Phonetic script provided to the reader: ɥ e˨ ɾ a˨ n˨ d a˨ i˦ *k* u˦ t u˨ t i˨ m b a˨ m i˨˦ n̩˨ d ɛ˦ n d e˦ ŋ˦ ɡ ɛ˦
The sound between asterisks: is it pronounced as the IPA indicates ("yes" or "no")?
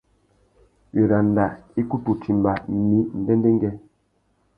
yes